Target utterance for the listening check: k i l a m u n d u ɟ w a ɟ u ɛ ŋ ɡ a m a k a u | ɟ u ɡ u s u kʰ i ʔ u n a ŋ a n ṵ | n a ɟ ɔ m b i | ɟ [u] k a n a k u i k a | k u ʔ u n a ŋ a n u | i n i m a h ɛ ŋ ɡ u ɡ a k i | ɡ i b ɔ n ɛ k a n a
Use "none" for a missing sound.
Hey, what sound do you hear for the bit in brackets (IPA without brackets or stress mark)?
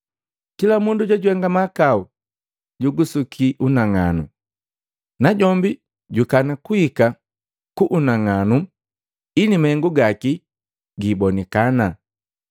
u